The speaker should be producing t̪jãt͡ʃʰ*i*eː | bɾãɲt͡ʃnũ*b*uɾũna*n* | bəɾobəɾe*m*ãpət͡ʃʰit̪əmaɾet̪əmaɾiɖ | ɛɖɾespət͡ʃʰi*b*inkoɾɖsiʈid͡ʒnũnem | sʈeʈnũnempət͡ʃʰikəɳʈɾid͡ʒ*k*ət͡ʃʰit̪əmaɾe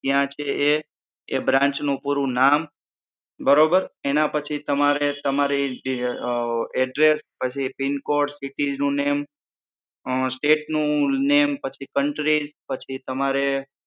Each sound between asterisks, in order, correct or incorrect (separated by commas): incorrect, incorrect, incorrect, incorrect, incorrect, incorrect